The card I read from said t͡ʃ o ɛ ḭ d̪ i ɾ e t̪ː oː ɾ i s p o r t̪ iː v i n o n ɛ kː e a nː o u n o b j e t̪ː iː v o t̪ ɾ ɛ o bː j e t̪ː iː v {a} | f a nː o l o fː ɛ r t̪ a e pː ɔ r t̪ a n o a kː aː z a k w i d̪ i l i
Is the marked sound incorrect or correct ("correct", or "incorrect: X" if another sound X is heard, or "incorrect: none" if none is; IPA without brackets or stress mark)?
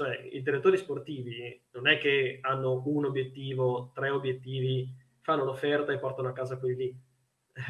incorrect: i